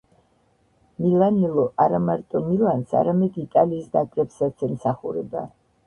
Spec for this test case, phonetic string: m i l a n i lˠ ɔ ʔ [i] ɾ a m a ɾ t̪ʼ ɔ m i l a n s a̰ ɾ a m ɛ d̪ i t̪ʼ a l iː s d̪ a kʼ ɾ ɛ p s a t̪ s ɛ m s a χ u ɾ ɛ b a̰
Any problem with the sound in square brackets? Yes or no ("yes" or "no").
yes